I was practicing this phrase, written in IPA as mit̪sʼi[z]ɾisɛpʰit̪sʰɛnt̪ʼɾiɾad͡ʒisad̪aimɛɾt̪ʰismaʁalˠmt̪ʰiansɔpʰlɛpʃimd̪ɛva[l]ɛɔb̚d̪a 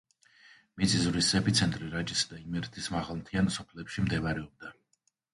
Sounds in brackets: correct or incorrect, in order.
correct, incorrect: ɾ

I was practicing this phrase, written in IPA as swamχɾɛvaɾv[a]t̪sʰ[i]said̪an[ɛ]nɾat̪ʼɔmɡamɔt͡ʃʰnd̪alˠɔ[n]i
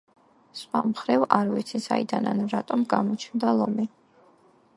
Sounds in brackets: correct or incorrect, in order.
incorrect: i, correct, incorrect: a, incorrect: m

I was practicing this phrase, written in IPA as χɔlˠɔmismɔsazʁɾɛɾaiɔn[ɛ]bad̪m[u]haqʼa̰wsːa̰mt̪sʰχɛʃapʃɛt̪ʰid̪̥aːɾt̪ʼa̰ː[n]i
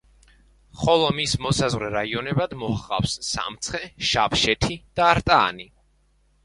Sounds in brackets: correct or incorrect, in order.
correct, incorrect: ɔ, correct

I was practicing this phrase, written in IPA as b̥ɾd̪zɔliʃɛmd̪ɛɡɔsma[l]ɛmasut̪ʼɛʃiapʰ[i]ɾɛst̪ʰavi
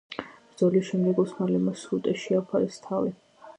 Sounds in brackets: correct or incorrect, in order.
correct, incorrect: a

